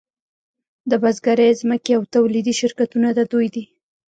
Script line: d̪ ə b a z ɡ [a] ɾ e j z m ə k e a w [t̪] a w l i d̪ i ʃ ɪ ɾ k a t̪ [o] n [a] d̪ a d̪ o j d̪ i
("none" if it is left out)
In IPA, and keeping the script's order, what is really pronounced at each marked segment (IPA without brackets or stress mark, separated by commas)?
a, t̪, u, a